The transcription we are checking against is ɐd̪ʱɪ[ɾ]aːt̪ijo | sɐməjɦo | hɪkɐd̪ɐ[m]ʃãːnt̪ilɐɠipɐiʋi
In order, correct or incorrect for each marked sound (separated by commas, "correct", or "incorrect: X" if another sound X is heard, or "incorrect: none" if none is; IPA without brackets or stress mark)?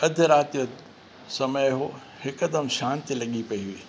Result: correct, correct